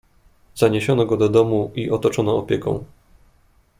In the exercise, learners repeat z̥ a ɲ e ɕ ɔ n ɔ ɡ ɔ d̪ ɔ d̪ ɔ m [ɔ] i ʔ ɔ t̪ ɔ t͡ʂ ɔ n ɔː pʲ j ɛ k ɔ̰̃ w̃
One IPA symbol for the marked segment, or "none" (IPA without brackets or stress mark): u